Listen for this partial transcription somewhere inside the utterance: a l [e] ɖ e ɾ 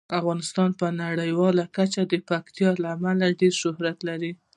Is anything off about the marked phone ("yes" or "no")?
yes